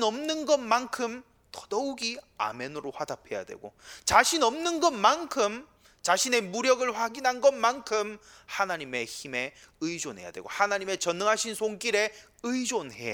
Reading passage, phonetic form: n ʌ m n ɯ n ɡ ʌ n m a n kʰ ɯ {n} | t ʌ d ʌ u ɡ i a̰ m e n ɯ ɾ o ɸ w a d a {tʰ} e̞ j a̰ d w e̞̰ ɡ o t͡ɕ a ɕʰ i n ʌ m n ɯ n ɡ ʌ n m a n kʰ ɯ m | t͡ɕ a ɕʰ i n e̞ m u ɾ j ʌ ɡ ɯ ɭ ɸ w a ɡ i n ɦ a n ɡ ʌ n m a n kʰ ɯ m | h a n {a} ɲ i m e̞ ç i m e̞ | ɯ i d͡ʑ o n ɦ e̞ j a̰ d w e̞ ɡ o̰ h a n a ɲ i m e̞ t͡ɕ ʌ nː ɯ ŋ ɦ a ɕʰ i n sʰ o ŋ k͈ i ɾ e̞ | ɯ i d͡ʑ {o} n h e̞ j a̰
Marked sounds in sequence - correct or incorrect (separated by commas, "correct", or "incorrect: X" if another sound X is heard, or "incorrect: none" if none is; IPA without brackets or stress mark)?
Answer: incorrect: m, incorrect: pʰ, correct, correct